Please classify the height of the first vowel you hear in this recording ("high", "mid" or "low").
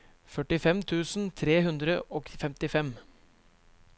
mid